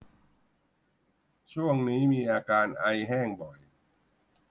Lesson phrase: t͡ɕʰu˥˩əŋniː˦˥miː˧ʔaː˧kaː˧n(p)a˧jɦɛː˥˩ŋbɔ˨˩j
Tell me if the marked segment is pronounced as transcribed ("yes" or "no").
no